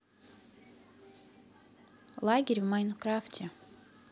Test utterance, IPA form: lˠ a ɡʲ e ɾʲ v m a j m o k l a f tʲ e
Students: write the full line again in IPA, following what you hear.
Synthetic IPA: lˠ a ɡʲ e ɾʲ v m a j n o k ɾ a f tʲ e